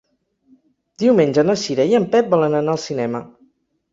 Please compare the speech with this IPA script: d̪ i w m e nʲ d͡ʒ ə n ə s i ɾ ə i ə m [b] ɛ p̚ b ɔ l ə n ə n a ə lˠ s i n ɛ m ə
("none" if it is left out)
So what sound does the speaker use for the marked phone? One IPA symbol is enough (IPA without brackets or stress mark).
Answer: p